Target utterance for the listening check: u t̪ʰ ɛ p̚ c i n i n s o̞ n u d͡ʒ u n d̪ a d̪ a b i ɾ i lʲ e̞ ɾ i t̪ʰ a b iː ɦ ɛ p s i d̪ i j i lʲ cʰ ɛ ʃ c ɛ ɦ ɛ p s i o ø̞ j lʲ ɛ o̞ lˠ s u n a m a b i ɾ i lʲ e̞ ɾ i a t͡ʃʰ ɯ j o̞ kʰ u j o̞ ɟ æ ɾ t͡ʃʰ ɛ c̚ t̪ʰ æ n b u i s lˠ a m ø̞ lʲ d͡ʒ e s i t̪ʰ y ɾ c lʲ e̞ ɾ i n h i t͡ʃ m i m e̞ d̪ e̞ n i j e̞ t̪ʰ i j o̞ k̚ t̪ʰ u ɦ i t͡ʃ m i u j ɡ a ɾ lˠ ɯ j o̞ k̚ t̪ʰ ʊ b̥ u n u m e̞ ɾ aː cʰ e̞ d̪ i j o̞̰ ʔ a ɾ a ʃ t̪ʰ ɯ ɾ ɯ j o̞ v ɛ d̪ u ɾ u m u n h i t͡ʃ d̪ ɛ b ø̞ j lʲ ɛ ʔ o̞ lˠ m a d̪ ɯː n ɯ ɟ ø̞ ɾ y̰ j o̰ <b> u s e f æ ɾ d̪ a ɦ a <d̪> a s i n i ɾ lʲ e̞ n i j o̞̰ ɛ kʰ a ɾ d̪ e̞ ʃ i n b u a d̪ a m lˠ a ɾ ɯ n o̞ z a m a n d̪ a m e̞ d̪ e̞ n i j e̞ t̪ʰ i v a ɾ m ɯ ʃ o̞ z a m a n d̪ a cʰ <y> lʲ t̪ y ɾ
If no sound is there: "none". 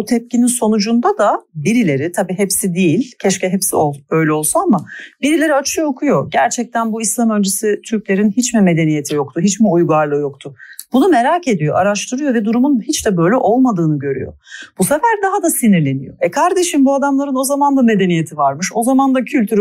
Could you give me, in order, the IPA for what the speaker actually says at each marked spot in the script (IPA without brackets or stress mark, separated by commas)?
b, d̪, y